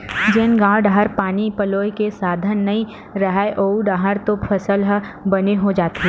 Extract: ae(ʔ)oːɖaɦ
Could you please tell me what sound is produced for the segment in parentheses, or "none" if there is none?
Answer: ʔ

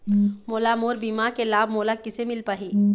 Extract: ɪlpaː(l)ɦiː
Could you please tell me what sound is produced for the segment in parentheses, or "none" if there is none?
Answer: none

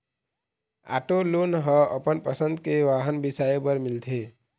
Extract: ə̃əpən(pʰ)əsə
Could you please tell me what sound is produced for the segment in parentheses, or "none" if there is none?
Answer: p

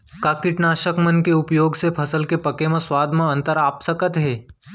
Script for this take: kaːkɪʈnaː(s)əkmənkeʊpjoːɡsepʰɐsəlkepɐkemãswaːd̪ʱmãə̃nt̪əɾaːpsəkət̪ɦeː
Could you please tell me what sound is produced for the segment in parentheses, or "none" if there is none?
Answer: ʃ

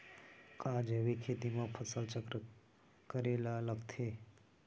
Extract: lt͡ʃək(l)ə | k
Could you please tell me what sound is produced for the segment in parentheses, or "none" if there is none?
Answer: ɾ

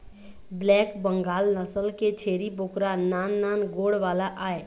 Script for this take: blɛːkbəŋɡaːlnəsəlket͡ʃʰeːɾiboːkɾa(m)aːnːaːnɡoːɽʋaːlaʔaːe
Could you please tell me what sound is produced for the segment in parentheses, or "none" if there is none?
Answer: n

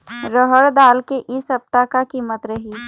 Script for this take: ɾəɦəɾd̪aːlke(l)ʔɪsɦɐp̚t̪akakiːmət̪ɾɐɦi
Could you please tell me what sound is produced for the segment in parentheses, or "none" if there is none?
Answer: none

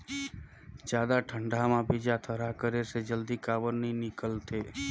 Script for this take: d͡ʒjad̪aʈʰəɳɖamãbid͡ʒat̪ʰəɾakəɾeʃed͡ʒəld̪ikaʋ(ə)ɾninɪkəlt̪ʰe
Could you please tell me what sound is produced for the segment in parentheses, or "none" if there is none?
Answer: ə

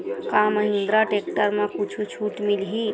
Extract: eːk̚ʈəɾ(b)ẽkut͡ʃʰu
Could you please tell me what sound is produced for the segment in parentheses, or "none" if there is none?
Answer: m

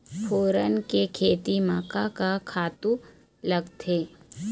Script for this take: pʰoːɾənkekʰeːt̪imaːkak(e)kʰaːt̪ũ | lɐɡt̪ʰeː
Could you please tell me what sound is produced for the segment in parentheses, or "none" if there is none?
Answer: a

